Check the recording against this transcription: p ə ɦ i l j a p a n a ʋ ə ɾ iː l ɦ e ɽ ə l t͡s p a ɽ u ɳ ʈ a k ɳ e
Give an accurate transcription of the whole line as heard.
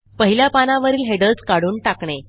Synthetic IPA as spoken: p ə ɦ i l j a p a n a ʋ ə ɾ iː l ɦ e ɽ ə l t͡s k a ɽ uː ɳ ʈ a k ɳ e